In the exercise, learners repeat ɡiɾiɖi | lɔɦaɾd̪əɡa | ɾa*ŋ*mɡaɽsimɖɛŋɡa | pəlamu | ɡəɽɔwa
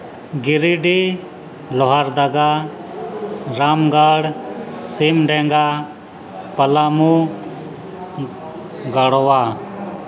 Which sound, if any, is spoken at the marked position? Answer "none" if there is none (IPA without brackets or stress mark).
none